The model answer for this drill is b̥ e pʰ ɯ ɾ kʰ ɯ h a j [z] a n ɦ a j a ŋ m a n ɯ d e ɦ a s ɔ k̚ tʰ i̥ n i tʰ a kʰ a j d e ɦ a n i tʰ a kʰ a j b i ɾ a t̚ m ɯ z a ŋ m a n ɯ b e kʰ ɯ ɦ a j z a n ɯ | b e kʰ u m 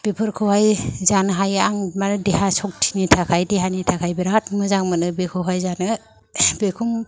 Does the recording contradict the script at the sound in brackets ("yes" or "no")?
no